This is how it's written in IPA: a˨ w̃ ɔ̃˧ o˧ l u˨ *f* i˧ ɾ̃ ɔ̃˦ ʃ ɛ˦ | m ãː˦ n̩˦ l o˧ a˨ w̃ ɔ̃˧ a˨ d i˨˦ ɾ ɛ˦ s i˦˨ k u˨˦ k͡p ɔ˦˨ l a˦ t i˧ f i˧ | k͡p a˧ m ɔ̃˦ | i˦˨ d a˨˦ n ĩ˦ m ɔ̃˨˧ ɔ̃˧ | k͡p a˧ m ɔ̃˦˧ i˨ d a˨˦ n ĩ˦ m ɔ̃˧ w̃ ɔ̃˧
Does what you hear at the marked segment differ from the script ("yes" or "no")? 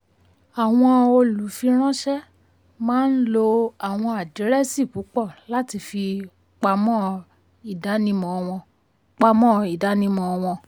no